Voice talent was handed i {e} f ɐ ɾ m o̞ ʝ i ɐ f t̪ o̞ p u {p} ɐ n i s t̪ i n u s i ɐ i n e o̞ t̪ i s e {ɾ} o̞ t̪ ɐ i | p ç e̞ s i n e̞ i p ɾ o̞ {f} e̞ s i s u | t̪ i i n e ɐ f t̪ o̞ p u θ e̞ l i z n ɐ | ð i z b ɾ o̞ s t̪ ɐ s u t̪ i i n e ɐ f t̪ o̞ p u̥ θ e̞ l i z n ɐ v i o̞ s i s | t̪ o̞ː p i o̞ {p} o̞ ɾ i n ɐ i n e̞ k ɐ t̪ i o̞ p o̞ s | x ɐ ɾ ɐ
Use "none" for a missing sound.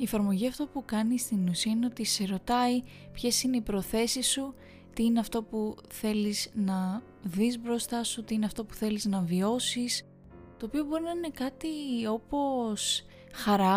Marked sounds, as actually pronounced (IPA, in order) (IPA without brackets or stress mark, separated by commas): e, k, ɾ, θ, b